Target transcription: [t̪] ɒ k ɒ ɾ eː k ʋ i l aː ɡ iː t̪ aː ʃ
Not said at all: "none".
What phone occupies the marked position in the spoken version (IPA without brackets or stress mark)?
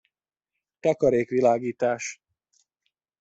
t̪